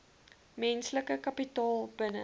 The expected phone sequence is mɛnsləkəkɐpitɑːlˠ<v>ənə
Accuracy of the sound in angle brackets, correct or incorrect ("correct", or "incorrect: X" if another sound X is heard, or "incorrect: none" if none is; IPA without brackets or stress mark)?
incorrect: b